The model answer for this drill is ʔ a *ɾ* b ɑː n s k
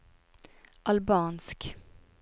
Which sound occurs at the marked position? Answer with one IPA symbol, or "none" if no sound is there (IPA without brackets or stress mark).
l